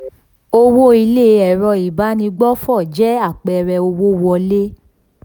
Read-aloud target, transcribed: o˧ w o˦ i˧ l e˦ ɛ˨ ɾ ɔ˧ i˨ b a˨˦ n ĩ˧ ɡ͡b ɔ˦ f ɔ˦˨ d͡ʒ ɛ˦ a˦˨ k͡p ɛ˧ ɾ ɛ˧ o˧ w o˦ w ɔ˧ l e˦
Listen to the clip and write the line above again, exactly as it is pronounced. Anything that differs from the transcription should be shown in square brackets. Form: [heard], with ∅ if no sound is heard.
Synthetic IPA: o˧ w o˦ i˧ l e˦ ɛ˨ ɾ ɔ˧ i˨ b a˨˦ n ĩ˧ ɡ͡b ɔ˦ f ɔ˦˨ d͡ʒ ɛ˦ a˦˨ k͡p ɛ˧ ɾ ɛ˧ o˧ w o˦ w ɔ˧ l e˦